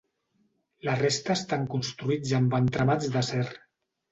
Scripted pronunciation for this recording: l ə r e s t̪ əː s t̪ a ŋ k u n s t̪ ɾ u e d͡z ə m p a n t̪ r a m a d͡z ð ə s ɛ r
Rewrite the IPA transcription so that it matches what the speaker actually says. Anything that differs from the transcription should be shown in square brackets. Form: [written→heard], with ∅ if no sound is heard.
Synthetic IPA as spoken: l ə r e s t̪ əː s t̪ a ŋ k u n s t̪ ɾ u [e→i] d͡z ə m [p→b] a n t̪ [r→ɾ] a m a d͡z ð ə s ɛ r